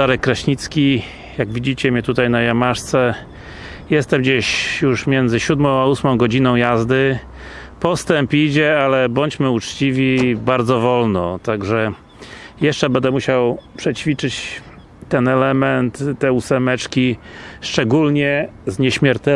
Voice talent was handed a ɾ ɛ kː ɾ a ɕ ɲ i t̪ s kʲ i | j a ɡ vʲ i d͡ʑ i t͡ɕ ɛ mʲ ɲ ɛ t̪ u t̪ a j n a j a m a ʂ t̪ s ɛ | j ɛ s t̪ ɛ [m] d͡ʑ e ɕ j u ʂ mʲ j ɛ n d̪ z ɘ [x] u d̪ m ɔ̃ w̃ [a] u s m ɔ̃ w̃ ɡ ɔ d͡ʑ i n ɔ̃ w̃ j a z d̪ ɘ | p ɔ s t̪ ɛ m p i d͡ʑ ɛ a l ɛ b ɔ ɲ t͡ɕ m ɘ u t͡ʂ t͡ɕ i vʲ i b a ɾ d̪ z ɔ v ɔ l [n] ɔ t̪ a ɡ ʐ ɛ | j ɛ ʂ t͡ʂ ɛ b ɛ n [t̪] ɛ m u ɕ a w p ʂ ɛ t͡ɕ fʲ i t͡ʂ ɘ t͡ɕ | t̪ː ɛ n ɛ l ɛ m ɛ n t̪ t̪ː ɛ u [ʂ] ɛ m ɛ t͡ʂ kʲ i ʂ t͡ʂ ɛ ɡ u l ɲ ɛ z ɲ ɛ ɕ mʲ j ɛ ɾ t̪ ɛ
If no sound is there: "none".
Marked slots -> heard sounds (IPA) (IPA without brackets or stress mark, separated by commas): m, ɕ, a, n, d̪, s